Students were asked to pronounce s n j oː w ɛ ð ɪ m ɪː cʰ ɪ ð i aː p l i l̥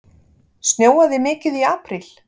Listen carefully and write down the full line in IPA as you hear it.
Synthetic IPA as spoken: s n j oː w a ð ɪ m ɪː c ɪ ð i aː p ɾ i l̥